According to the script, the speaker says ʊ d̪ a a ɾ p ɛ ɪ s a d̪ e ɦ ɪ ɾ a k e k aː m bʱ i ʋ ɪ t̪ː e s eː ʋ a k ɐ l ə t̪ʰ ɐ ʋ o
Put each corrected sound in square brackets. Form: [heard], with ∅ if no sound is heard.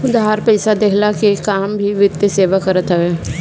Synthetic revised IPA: ʊ d̪ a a ɾ p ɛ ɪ s a d̪ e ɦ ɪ [l] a k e k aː m bʱ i ʋ ɪ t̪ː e s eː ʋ a k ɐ [ɾ] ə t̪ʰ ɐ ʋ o